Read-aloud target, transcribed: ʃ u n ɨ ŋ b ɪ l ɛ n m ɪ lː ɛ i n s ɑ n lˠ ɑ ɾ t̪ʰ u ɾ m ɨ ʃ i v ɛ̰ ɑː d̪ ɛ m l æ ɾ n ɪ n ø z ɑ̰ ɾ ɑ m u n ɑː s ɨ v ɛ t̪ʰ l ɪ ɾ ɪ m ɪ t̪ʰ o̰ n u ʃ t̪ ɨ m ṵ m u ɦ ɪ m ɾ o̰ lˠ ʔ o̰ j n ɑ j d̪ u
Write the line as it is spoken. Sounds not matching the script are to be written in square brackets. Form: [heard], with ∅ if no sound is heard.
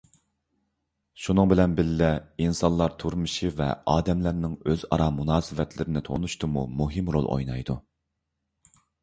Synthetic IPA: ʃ u n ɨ ŋ b ɪ l ɛ n [b] ɪ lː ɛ i n s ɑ n lˠ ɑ ɾ t̪ʰ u ɾ m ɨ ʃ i v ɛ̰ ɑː d̪ ɛ m l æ ɾ n ɪ [ŋ] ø z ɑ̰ ɾ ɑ m u n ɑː s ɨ v ɛ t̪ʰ l ɪ ɾ ɪ [n] ɪ t̪ʰ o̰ n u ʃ t̪ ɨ m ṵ m u ɦ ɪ m ɾ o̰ lˠ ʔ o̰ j n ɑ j d̪ u